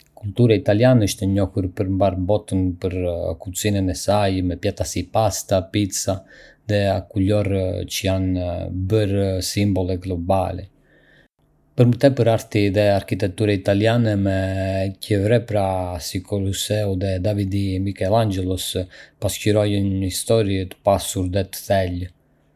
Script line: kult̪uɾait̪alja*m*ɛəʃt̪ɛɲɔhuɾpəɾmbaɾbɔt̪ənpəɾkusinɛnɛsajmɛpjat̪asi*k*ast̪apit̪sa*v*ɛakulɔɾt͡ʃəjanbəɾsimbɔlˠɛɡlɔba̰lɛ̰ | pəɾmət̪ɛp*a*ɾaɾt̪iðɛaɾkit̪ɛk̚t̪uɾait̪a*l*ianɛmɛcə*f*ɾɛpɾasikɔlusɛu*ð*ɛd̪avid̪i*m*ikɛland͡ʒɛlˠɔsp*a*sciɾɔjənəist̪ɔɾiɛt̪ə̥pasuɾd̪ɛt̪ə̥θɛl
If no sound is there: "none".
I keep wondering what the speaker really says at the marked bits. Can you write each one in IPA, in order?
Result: n, p, ð, ə, l, v, ð, m, a

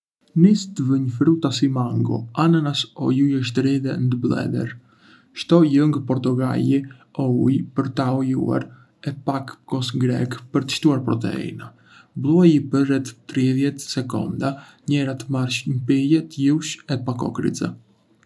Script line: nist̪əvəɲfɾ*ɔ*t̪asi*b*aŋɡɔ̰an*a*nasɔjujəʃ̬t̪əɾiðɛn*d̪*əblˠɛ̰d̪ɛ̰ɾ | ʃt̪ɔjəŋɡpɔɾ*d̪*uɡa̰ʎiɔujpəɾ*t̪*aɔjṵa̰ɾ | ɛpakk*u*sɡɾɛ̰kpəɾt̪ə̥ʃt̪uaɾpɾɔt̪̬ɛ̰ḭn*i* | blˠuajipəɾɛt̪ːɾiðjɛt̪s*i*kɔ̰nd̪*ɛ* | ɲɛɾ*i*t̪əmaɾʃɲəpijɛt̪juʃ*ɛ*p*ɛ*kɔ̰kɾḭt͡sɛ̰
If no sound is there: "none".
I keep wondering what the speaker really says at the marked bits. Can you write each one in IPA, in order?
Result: u, m, a, d̪, t̪, t̪, ɔ, a, ɛ, a, a, ɛ, a

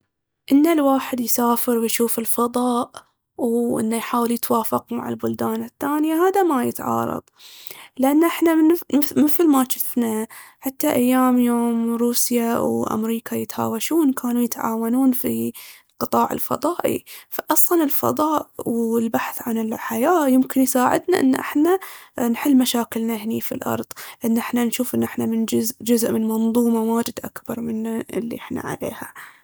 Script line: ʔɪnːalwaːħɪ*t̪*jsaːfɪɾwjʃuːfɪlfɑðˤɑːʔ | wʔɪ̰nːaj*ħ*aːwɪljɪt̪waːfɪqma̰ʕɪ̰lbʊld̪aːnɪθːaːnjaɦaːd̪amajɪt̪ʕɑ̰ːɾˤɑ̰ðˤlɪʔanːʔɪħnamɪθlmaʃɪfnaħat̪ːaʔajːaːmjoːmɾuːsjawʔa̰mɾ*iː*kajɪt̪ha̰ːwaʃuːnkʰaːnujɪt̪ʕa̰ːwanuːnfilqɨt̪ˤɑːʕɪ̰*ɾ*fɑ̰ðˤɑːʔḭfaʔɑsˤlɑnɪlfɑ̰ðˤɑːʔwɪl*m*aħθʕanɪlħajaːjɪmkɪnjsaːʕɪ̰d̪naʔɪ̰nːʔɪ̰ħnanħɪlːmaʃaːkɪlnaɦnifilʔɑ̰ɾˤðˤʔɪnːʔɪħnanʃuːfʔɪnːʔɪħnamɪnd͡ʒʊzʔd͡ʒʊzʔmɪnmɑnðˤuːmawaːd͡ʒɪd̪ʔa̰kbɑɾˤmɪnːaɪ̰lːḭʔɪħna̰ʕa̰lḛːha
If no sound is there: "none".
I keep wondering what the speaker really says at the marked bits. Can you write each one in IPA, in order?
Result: d̪, ħ, iː, l, b

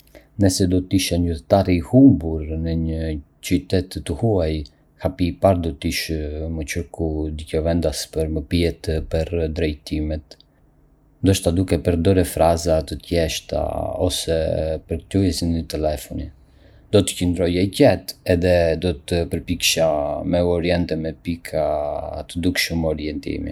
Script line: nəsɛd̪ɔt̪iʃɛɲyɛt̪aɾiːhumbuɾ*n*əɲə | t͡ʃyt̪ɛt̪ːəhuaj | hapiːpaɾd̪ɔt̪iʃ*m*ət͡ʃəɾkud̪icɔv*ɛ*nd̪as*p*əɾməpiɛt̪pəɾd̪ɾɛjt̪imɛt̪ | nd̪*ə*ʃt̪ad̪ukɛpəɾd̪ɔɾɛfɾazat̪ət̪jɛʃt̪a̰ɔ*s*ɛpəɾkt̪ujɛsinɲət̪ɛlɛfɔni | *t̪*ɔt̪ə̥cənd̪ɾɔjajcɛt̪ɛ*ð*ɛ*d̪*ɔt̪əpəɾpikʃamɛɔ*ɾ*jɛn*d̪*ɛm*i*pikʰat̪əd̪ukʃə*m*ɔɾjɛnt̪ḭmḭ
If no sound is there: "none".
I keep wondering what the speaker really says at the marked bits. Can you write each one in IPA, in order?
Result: n, m, ɛ, p, ə, s, d̪, ð, d̪, ɾ, t̪, ɛ, m

